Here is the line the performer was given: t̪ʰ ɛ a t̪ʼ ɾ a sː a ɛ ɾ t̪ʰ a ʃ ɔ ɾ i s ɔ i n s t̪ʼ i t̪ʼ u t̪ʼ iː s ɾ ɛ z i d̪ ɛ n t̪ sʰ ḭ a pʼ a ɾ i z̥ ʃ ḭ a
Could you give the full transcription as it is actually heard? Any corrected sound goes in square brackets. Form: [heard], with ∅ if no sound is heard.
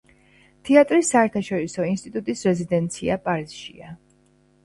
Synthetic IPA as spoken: t̪ʰ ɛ a t̪ʼ ɾ [i] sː a ɛ ɾ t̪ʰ a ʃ ɔ ɾ i s ɔ i n s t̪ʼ i t̪ʼ u t̪ʼ [i] s ɾ ɛ z i d̪ ɛ n t̪ sʰ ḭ a pʼ a ɾ i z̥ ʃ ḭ a